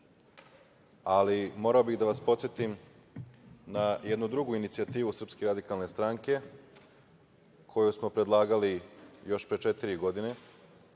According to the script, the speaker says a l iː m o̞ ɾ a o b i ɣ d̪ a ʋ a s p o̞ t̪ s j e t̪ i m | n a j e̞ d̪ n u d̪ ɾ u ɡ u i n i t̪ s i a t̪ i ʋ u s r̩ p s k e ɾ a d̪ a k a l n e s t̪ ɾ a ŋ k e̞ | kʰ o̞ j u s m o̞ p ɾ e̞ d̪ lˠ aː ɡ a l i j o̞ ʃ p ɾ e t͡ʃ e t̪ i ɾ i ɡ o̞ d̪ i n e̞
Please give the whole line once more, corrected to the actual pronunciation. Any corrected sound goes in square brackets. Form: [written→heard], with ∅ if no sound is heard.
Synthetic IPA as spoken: a l [iː→i] m o̞ ɾ a o b i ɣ d̪ a ʋ a s p o̞ t̪ s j e t̪ i m | n a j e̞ d̪ n u d̪ ɾ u ɡ u i n i t̪ s i a t̪ [i→iː] ʋ u s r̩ p s k e ɾ a d̪ [a→i] k a l n e s t̪ ɾ a ŋ k e̞ | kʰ o̞ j u s m o̞ p ɾ e̞ d̪ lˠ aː ɡ a l i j o̞ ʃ p ɾ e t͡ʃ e t̪ i ɾ i ɡ o̞ d̪ i n e̞